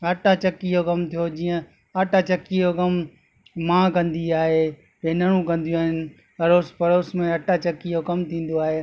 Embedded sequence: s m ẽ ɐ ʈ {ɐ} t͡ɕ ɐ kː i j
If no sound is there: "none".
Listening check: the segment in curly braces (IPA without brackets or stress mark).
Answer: a